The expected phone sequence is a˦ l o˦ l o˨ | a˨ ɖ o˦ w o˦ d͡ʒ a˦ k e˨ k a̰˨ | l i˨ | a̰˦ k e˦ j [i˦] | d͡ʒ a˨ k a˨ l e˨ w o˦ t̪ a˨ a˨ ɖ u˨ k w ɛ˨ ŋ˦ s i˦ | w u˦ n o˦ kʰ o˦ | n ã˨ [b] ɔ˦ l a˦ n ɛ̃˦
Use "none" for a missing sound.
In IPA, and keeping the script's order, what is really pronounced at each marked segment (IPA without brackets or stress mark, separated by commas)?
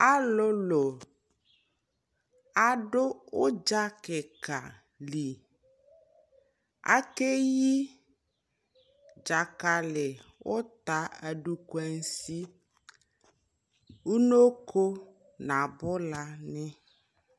i˦, b